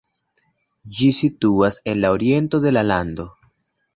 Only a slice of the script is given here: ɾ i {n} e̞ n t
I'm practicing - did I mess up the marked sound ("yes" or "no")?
yes